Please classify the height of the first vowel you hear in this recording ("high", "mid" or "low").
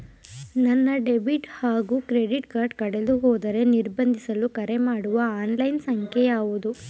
low